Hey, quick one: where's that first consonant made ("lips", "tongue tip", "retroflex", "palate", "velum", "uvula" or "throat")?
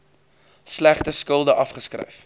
tongue tip